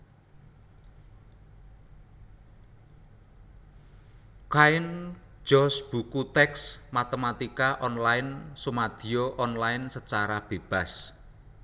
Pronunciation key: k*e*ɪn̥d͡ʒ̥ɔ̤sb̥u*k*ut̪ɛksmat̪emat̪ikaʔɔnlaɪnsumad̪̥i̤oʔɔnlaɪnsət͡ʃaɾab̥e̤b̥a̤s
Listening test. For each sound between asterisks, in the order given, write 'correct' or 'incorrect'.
incorrect: a, correct

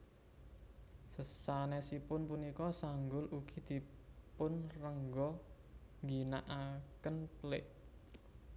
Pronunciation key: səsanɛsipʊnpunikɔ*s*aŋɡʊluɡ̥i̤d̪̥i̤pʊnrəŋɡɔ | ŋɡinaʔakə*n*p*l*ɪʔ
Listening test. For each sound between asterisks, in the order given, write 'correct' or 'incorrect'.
correct, correct, correct

